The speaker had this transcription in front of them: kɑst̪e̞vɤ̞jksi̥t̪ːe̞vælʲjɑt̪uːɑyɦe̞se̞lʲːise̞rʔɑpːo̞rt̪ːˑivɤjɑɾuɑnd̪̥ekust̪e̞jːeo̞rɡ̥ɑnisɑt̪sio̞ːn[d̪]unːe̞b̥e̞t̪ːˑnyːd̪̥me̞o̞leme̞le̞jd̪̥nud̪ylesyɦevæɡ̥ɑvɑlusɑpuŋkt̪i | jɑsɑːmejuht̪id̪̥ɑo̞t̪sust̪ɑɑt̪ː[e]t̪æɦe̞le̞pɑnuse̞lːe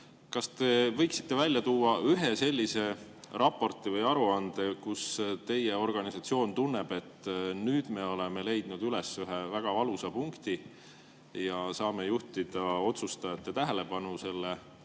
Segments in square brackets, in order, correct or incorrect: incorrect: t̪, correct

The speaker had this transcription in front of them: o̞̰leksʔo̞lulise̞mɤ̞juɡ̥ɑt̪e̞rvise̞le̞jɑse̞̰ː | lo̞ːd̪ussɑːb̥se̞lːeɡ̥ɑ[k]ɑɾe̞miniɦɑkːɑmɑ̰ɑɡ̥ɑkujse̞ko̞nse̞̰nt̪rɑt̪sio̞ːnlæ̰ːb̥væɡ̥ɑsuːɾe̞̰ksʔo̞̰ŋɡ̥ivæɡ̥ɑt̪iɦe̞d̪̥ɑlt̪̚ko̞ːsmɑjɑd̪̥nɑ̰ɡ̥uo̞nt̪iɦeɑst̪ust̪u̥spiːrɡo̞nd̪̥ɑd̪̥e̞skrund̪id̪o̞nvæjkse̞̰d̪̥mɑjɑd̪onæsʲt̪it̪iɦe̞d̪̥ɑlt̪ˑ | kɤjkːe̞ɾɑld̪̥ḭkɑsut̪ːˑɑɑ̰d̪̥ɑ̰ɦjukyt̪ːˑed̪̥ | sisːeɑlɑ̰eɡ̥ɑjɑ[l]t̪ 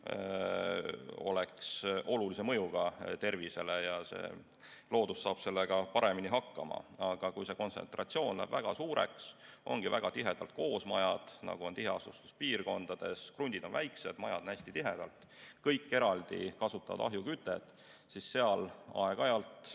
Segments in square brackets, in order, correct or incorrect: incorrect: p, correct

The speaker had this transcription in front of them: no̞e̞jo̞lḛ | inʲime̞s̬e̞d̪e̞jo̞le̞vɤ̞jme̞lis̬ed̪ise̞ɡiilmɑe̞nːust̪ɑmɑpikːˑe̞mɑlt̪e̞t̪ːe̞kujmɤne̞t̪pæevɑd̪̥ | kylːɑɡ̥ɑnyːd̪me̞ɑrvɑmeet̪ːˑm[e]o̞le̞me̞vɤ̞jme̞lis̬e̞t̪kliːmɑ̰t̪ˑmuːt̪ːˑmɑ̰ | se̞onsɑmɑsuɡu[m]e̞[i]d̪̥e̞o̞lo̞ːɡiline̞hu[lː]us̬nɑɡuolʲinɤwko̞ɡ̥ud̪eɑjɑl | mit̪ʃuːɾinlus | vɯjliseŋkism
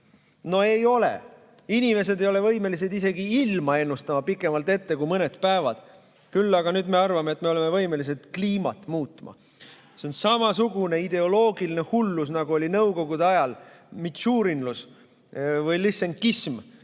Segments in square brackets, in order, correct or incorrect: correct, incorrect: n, correct, correct

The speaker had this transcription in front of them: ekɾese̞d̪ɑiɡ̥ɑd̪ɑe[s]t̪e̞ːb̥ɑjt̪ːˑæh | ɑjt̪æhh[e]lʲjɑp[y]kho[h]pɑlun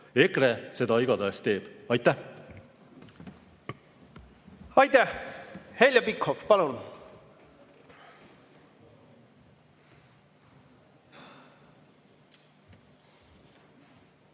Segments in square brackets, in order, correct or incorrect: correct, correct, incorrect: i, incorrect: f

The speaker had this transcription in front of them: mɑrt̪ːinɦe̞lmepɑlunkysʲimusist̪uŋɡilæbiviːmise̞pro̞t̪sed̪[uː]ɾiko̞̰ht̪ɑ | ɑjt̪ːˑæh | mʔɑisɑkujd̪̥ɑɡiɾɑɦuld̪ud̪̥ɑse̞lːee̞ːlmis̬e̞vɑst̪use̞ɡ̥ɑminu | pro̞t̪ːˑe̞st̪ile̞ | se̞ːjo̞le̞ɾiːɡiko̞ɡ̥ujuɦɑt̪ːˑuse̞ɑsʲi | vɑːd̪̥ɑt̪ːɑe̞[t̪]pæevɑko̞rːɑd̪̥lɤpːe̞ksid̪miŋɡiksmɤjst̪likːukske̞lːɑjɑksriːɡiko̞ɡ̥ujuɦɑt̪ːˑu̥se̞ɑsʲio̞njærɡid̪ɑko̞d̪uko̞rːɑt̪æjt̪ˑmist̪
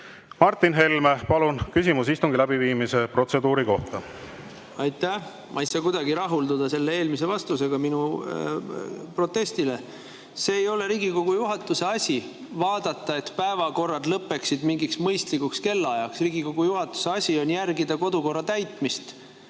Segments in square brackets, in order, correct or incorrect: correct, correct

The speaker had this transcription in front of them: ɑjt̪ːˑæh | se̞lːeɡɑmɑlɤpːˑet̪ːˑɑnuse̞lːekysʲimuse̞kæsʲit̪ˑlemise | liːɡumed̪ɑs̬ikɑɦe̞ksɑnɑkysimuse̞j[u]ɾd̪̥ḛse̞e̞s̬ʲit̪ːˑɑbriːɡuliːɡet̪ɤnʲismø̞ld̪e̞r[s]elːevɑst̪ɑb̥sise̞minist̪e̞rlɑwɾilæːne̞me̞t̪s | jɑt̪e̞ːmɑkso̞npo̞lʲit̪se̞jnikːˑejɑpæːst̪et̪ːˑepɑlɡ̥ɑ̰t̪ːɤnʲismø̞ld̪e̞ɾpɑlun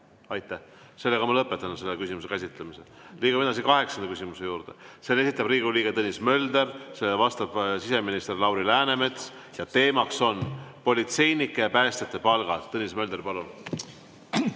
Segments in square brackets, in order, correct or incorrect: incorrect: uː, correct

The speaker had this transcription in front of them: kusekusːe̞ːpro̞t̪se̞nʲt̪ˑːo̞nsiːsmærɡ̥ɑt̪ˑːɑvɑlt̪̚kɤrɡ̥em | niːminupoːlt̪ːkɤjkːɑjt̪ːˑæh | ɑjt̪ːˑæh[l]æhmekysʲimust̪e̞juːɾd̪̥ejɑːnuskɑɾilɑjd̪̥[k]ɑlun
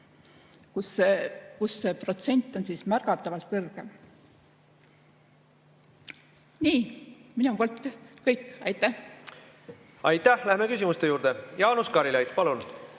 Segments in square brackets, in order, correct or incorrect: correct, incorrect: p

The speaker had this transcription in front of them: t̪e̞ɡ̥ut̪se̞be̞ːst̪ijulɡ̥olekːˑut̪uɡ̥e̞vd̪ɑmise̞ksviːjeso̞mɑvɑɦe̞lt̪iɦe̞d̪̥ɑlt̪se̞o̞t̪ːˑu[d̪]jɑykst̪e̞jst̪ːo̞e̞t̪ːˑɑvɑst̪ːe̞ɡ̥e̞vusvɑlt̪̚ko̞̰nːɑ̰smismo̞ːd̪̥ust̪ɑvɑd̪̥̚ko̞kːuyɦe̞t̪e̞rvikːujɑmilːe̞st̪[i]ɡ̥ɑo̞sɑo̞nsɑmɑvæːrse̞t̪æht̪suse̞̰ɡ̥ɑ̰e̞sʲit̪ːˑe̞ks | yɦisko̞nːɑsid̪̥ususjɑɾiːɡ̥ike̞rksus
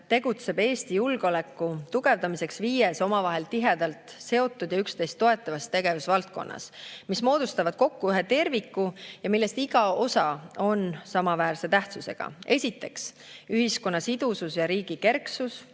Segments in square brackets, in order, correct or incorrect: correct, correct

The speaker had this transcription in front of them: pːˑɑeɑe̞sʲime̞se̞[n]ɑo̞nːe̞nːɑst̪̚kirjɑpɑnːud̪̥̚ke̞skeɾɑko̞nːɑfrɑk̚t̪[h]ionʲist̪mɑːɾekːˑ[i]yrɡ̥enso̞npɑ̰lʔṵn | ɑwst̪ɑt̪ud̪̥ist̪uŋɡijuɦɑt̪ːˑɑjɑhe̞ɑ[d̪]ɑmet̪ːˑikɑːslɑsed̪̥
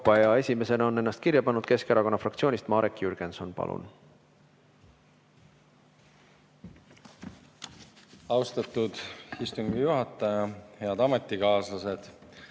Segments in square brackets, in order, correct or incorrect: correct, incorrect: s, incorrect: j, correct

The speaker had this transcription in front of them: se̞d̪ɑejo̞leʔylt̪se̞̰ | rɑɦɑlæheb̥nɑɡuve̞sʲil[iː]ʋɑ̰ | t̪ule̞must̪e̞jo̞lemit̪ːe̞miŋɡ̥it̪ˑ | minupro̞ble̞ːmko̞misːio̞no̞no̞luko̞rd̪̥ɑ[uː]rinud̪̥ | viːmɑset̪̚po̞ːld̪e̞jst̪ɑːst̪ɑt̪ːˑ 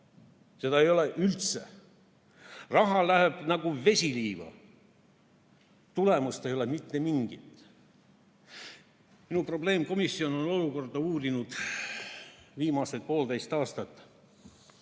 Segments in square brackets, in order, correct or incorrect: correct, correct

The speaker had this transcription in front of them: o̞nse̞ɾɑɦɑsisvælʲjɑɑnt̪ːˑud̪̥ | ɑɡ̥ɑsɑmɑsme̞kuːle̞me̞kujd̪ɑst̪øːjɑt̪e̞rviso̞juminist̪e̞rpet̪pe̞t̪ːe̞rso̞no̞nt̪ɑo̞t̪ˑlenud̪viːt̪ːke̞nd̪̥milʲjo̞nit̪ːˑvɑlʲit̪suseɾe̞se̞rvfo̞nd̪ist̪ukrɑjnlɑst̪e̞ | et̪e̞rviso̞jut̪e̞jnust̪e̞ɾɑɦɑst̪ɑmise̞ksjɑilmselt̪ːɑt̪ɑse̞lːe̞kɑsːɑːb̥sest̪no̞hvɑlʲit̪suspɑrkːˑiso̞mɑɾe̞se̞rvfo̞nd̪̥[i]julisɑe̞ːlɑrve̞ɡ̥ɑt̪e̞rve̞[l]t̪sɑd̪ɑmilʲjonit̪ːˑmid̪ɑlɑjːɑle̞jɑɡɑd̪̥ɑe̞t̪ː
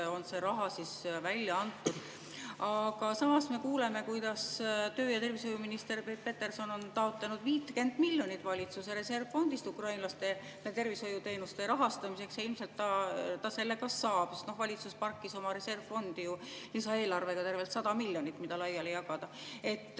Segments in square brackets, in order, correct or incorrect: correct, correct

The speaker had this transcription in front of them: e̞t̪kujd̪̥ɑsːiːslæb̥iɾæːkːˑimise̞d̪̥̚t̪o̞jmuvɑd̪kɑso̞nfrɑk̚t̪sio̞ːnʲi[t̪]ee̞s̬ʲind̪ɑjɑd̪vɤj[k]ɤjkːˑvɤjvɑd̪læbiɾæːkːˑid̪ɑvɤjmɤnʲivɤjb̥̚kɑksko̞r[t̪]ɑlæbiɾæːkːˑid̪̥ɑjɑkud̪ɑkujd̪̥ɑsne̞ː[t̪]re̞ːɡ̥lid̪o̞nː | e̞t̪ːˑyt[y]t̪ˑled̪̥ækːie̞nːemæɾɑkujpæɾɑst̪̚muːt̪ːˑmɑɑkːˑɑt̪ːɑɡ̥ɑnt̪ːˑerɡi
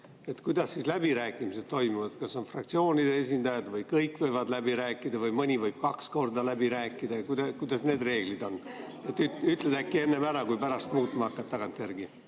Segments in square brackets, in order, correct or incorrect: incorrect: d̪, correct, incorrect: d̪, incorrect: d̪, correct

